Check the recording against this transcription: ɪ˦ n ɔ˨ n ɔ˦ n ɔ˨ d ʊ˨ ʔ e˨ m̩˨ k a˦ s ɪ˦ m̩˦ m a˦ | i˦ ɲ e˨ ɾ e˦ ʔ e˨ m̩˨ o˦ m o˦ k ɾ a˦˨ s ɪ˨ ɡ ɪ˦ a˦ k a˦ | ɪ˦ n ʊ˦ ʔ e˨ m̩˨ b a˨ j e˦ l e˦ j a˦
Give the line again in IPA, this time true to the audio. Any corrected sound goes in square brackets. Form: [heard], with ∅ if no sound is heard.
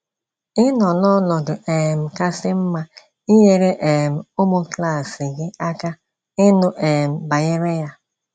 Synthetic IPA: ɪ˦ n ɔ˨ n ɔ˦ n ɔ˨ d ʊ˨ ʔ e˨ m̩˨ k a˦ s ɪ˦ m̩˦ m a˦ | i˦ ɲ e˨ ɾ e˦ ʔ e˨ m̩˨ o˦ m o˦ k [l] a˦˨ s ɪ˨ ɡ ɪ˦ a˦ k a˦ | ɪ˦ n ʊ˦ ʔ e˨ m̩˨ b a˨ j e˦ [ɾ] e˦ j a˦

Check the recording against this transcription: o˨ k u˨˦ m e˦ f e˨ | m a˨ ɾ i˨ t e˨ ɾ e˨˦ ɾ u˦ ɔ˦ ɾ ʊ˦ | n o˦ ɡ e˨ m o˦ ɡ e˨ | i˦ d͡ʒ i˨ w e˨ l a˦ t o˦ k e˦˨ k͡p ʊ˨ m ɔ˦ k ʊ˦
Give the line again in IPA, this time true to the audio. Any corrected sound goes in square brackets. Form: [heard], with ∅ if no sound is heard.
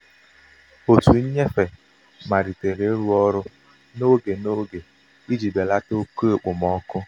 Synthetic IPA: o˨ [t] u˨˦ [ɲ] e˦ f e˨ | m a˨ ɾ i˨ t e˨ ɾ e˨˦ ɾ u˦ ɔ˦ ɾ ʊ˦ | n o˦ ɡ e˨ [n] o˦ ɡ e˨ | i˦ d͡ʒ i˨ [b] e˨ l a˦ t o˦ k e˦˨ k͡p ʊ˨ m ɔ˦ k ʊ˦

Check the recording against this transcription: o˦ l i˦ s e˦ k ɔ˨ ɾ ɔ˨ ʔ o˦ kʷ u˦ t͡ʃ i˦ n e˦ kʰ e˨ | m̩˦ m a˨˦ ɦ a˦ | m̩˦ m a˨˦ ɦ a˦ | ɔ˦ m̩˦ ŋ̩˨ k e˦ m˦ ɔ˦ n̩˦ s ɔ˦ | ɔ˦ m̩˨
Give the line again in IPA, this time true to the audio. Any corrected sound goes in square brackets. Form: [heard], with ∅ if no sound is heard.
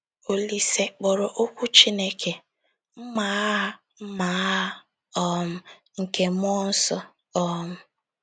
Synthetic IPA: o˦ l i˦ s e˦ [k͡p] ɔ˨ ɾ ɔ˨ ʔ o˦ kʷ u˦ t͡ʃ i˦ n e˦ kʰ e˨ | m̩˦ m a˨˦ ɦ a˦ | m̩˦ m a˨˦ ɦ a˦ | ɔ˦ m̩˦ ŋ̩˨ k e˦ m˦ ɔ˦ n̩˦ s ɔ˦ | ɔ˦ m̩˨

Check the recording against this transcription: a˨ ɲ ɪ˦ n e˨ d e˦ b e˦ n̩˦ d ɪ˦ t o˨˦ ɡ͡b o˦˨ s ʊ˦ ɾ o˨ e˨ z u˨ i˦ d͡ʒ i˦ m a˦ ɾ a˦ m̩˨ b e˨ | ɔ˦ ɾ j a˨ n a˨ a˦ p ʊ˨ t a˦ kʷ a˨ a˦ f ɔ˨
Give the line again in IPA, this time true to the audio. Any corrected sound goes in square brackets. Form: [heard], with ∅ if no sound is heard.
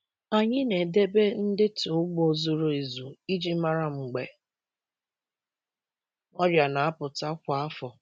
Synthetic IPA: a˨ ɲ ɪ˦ n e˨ d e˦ b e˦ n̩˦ d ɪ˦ t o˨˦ ɡ͡b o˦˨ [z] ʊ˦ ɾ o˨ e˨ z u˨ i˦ d͡ʒ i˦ m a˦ ɾ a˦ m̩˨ [ɡ͡b] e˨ | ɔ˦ ɾ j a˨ n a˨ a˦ p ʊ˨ t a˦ kʷ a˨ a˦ f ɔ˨

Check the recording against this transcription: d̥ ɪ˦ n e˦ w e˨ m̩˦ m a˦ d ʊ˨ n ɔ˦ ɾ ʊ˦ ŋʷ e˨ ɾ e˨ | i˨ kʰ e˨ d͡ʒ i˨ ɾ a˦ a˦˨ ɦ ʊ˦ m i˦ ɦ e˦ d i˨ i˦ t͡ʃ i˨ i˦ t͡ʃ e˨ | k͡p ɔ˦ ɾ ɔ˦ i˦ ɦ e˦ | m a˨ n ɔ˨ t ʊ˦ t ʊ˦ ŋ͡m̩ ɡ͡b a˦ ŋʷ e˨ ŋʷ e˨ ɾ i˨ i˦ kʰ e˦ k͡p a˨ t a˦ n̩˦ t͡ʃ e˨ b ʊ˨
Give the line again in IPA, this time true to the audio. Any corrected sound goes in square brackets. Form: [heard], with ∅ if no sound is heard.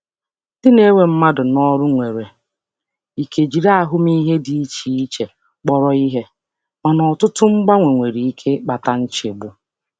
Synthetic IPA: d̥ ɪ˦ n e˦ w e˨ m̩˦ m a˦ d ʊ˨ n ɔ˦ ɾ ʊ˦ ŋʷ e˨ ɾ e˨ | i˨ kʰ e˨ d͡ʒ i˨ ɾ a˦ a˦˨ ɦ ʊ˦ m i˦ ɦ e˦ d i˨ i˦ t͡ʃ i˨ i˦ t͡ʃ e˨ | k͡p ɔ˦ ɾ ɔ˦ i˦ ɦ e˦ | m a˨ n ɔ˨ t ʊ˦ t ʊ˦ ŋ͡m̩ ɡ͡b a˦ ŋʷ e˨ ŋʷ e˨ ɾ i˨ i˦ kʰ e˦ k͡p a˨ t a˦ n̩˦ t͡ʃ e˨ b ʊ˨

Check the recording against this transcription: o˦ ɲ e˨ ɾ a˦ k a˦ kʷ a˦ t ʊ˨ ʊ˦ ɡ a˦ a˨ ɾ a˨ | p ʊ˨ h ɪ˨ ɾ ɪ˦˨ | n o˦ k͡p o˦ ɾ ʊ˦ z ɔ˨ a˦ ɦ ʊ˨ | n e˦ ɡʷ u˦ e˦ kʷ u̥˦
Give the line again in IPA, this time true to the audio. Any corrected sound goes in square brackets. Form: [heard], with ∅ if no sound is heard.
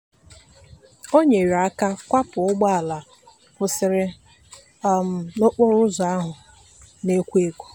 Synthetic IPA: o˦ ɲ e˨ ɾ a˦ k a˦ kʷ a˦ [p] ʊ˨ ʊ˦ [ɡ͡b] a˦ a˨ [l] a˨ | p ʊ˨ [s] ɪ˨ ɾ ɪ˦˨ | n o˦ k͡p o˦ ɾ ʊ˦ z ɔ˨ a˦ ɦ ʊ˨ | n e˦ [kʷ] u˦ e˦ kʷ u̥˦

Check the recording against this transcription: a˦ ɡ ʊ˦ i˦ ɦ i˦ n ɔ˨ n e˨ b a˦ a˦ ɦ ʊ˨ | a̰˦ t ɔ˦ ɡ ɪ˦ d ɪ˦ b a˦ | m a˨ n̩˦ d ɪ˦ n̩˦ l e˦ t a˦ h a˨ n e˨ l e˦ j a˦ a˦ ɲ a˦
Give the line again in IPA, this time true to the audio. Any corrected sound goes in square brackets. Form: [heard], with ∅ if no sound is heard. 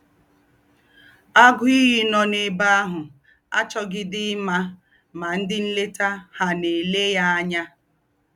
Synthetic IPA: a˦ ɡ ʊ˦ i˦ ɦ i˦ n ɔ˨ n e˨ b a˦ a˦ ɦ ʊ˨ | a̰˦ [t͡ʃ] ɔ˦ ɡ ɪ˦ d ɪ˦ [m] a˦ | m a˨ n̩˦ d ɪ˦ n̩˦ l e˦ t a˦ h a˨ n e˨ l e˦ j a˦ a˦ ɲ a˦

